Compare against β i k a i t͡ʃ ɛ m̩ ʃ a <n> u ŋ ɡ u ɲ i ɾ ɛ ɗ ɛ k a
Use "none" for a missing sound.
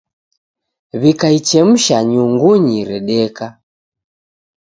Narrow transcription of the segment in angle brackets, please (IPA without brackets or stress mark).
ɲ